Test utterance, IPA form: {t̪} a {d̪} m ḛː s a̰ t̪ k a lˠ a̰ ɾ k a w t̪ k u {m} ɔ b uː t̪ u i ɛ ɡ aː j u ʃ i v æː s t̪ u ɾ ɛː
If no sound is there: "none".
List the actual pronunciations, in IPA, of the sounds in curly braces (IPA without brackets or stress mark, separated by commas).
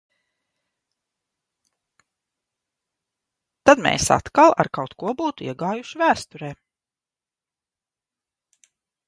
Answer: t̪, d̪, none